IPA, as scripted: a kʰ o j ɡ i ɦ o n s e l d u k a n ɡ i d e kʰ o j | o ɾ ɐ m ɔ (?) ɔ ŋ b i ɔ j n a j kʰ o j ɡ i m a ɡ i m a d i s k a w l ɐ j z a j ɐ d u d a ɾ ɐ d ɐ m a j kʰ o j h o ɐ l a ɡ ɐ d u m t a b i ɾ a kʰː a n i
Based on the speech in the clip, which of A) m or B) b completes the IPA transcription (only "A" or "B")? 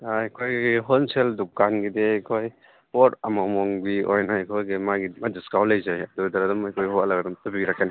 A